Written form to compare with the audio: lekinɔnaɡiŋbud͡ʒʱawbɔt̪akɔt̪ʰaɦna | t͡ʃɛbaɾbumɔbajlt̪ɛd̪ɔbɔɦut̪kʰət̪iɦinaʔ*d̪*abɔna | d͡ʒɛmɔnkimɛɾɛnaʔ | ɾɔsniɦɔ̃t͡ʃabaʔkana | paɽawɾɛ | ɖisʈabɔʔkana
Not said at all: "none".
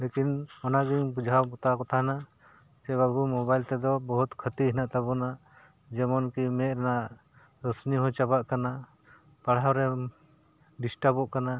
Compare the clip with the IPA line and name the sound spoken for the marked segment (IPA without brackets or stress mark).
t̪